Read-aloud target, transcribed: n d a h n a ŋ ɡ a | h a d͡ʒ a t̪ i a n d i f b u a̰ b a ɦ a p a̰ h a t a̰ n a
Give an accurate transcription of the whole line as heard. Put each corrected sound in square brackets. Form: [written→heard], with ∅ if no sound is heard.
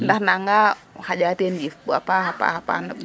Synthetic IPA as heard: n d a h n a ŋ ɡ a | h a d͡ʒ a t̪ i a n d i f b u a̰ [b→p] a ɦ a p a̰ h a [t→p] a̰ n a